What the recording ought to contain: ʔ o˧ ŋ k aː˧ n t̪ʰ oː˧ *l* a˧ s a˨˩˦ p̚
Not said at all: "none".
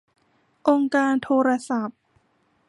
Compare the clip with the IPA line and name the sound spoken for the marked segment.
ɾ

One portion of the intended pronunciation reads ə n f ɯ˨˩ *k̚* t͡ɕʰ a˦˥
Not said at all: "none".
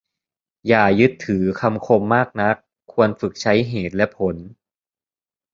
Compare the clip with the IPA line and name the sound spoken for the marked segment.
k̚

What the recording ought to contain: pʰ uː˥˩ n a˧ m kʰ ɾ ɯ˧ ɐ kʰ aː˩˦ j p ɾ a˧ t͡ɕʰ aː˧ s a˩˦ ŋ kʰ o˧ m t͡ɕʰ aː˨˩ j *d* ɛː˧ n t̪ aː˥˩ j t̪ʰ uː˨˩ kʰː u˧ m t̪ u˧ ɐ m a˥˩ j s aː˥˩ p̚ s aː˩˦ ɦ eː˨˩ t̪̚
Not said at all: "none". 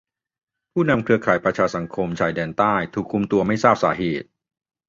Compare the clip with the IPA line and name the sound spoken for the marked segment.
d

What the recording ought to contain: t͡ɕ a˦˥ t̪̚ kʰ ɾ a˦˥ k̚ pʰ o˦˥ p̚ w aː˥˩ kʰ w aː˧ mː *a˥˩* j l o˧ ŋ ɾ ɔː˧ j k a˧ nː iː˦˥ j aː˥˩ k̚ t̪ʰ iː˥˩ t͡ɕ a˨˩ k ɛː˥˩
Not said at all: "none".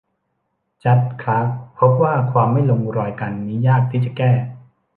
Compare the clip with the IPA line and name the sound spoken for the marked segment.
a˥˩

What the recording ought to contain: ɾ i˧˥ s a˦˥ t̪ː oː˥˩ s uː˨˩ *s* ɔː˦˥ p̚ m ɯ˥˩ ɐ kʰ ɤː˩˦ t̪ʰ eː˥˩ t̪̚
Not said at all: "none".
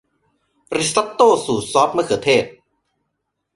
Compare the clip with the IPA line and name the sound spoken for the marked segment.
s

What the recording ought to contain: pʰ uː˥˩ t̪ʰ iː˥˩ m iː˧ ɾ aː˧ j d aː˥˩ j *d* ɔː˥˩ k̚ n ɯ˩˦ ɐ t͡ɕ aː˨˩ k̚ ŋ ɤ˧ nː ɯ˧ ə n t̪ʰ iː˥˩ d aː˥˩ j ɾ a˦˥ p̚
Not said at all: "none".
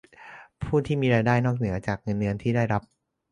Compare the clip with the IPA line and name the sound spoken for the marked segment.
n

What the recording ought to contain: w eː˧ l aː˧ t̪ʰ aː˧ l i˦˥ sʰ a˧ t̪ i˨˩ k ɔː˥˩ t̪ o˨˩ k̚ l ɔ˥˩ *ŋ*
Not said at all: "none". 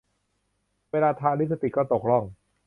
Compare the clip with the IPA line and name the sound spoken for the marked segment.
ŋ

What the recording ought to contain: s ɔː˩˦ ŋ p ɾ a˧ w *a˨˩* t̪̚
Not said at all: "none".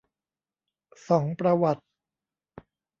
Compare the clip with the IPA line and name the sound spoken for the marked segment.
a˨˩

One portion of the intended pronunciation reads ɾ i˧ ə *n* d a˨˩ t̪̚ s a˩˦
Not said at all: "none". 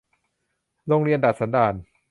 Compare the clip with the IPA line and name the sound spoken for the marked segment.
n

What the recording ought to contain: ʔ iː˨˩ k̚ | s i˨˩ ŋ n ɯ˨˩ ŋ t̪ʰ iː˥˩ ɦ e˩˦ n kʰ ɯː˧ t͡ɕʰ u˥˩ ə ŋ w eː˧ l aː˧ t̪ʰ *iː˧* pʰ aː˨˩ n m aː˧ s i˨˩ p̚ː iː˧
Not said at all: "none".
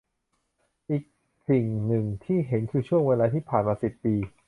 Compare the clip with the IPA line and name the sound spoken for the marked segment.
iː˥˩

